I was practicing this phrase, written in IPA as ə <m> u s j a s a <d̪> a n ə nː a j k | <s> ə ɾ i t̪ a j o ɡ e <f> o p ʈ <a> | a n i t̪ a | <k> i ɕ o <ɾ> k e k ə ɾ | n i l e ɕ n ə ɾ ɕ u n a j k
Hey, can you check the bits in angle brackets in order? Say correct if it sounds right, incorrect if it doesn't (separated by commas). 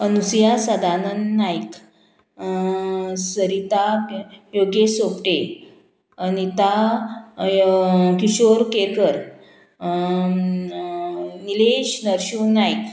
incorrect, correct, correct, incorrect, incorrect, correct, correct